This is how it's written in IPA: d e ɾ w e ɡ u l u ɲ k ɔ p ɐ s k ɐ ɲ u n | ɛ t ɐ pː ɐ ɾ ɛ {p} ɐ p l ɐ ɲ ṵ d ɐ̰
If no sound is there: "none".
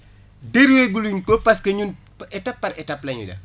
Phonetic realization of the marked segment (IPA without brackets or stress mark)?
t